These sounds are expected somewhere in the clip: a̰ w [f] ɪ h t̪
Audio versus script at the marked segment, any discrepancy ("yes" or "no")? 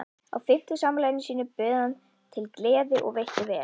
no